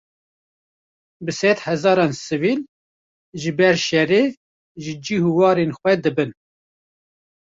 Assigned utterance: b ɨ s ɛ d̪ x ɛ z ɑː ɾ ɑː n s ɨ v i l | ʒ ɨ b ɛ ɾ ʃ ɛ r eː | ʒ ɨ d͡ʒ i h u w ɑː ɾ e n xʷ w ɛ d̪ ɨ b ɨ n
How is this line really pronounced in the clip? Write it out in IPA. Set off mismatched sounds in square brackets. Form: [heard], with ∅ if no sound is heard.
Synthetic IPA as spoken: b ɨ s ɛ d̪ [h] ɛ z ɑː ɾ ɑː n s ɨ v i l | ʒ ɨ b ɛ ɾ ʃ ɛ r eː | ʒ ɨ d͡ʒ i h u w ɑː ɾ e n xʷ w ɛ d̪ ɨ b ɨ n

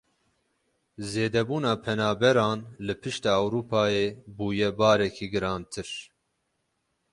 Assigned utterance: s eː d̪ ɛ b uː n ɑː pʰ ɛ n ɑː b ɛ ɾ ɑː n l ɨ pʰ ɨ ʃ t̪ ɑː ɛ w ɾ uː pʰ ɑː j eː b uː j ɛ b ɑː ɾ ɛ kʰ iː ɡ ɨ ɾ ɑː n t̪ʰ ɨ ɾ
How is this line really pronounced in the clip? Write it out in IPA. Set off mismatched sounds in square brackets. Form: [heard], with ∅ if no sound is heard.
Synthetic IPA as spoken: [z] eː d̪ ɛ b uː n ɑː pʰ ɛ n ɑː b ɛ ɾ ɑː n l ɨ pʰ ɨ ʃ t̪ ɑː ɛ w ɾ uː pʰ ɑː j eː b uː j ɛ b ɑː ɾ ɛ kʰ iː ɡ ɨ ɾ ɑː n t̪ʰ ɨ ɾ

